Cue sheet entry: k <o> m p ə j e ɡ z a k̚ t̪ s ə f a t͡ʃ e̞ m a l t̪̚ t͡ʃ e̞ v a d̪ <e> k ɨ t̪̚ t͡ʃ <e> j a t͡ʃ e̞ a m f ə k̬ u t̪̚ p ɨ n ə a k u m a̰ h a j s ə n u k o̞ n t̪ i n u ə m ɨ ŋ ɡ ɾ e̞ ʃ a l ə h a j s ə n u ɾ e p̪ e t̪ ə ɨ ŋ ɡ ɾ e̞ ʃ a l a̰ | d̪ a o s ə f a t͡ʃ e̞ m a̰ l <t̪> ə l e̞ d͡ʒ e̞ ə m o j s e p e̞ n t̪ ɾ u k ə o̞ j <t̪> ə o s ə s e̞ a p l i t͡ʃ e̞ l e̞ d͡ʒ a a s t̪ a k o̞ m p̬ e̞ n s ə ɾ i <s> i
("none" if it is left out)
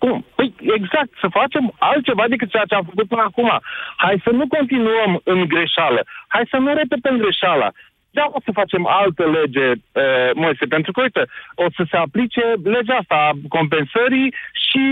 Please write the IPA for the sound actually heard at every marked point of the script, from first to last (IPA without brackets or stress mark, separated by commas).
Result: u, e, e, t̪, t̪, ʃ